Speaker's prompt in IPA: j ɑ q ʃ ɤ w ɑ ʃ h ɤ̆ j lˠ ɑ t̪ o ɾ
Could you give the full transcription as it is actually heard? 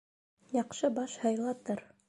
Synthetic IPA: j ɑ q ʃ ɤ b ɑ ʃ h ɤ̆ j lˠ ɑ t̪ ɤ ɾ